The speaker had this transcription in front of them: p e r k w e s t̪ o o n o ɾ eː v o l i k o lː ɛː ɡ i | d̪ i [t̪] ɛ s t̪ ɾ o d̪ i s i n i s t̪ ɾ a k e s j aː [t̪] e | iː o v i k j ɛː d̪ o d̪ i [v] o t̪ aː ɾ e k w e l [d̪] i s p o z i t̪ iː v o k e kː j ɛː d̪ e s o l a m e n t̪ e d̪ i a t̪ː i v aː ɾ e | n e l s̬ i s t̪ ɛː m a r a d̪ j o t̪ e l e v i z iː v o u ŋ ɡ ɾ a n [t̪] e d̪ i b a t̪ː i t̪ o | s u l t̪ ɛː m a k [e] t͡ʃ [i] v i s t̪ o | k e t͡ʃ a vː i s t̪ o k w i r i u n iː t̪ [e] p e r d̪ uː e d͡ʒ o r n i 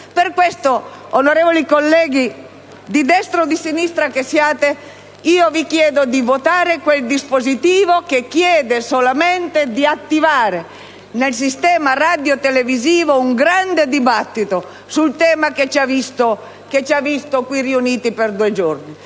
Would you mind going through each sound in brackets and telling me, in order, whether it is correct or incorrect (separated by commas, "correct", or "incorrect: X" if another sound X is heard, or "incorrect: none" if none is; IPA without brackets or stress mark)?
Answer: incorrect: d̪, correct, correct, correct, incorrect: d̪, correct, incorrect: a, incorrect: i